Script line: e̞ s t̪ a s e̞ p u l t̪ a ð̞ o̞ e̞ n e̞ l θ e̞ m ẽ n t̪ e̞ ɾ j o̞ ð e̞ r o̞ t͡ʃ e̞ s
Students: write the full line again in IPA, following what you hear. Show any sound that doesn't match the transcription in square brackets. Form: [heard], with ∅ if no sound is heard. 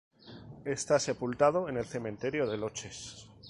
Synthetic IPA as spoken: e̞ s t̪ a s e̞ p u l t̪ a ð̞ o̞ e̞ n e̞ l θ e̞ m ẽ n t̪ e̞ ɾ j o̞ ð e̞ [l] o̞ t͡ʃ e̞ s